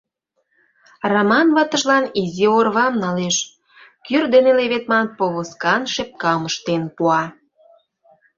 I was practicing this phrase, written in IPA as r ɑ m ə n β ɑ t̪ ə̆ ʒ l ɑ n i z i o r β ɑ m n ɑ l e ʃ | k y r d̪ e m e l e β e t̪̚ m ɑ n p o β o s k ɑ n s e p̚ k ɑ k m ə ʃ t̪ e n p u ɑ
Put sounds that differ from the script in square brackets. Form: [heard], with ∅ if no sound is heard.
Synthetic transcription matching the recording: r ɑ m [ɑ] n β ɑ t̪ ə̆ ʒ l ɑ n i z i o r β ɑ m n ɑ l e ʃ | k y r d̪ e [n] e l e β e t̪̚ m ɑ n p o β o s k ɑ n [ʃ] e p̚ k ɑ [∅] m ə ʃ t̪ e n p u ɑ